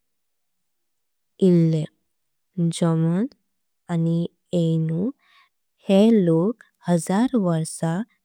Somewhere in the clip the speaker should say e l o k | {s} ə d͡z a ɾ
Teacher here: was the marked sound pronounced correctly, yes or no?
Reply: no